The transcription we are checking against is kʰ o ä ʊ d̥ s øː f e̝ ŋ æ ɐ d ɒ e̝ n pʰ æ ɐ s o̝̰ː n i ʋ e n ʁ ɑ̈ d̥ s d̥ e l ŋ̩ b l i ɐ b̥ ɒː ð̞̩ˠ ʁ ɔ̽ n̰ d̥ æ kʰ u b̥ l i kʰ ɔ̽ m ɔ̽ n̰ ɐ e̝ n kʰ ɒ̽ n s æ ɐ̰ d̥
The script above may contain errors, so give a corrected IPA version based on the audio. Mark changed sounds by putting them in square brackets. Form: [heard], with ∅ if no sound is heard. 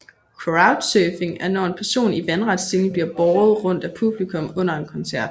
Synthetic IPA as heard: kʰ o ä ʊ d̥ s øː f e̝ ŋ æ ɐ [n] ɒ e̝ n pʰ æ ɐ s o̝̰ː n i ʋ [æ] n ʁ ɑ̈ d̥ s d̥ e l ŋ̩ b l i ɐ b̥ ɒː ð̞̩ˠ ʁ ɔ̽ n̰ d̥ æ [pʰ] u b̥ l i kʰ ɔ̽ m ɔ̽ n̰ ɐ e̝ n kʰ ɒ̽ n s æ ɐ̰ d̥